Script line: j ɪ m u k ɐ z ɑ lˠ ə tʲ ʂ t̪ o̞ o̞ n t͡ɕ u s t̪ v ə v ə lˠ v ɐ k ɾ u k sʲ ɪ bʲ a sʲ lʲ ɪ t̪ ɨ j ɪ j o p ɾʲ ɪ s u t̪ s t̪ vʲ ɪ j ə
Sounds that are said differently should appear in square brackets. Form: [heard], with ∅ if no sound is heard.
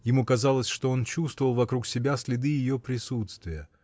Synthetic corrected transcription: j ɪ m u k ɐ z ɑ lˠ ə [sʲ] ʂ t̪ o̞ o̞ n t͡ɕ u s t̪ v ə v ə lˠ v ɐ k ɾ u k sʲ ɪ bʲ a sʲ lʲ ɪ [d̪] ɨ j ɪ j o p ɾʲ ɪ s u t̪ s t̪ vʲ ɪ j ə